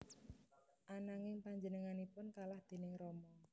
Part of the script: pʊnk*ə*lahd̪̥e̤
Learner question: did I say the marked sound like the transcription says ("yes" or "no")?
no